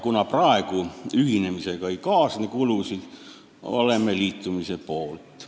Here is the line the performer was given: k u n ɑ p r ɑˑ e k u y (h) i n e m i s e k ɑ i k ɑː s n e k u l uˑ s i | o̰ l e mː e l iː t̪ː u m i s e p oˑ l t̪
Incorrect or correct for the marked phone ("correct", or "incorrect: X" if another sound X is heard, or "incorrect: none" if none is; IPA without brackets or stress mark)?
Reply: correct